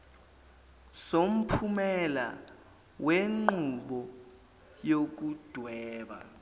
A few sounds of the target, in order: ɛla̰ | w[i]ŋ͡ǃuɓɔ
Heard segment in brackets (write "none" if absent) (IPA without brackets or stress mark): e